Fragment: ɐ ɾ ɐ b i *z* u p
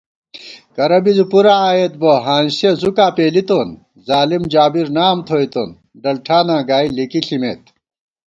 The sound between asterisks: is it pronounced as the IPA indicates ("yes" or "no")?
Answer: yes